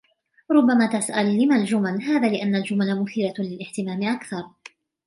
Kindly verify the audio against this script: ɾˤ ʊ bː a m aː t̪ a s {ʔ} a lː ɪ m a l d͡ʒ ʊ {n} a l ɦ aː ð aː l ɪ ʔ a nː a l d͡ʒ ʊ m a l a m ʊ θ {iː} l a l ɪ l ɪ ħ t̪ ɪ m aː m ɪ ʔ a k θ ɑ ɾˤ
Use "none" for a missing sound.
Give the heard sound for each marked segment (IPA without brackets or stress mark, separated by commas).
ʔ, m, iː